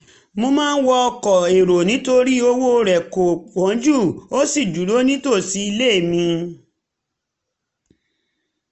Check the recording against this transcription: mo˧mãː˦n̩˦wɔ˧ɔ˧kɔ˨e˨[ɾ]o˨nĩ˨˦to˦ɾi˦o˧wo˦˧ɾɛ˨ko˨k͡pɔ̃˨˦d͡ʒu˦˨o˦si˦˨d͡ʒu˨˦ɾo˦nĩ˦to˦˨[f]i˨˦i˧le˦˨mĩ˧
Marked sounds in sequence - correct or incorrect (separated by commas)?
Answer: correct, incorrect